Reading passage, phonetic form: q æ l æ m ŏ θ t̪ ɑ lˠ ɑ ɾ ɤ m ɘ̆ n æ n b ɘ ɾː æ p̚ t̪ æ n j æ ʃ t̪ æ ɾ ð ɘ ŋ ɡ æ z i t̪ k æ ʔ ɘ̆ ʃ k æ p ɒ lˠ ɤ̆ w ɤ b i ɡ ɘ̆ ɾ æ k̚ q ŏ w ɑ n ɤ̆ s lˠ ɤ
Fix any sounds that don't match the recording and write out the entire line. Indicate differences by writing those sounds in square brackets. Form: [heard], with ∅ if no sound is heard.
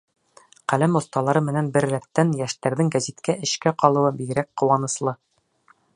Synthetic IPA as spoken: q æ l æ m ŏ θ t̪ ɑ lˠ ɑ ɾ ɤ m ɘ̆ n æ n b ɘ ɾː æ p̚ t̪ æ n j æ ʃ t̪ æ ɾ ð ɘ ŋ ɡ æ z i t̪ k æ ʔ ɘ̆ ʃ k æ [q] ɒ lˠ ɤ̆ w ɤ b i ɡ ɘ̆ ɾ æ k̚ q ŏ w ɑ n ɤ̆ s lˠ ɤ